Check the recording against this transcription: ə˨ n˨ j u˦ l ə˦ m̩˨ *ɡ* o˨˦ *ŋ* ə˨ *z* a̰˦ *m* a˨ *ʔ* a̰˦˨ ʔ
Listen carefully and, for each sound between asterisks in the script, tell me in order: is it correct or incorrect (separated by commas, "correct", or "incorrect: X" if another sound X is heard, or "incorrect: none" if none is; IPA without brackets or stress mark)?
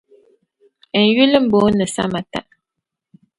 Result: incorrect: b, incorrect: n, incorrect: s, correct, incorrect: t